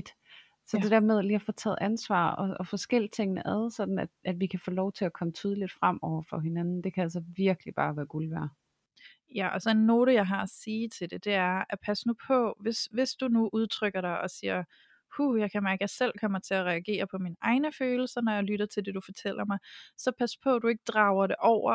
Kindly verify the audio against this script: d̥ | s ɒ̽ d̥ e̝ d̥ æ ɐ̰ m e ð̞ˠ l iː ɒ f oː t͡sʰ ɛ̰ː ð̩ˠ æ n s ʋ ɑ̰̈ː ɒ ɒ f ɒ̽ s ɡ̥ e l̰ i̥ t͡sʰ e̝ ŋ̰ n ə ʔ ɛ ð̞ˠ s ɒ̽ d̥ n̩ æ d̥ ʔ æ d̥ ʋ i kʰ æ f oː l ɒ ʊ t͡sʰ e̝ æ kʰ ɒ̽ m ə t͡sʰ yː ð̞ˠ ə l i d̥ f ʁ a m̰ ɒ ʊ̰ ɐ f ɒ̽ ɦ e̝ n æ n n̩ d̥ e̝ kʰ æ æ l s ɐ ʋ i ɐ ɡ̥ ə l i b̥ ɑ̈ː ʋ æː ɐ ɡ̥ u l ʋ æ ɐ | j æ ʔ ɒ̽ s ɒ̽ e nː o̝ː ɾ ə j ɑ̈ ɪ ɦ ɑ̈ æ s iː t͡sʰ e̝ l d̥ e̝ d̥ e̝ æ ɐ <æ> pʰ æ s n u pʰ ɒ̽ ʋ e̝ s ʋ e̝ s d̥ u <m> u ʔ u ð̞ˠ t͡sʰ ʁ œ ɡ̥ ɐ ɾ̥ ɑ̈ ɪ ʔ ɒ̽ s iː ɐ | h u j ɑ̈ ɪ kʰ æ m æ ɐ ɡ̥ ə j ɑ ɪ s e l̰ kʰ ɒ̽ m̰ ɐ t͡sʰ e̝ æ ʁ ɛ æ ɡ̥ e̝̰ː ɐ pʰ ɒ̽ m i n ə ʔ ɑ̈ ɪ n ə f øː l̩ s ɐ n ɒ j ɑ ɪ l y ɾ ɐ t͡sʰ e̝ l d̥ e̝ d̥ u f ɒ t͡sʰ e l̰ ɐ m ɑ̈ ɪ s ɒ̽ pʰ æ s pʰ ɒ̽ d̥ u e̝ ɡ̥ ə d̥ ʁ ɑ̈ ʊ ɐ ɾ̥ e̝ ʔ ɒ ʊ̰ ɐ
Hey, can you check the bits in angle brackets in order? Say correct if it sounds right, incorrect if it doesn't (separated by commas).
correct, incorrect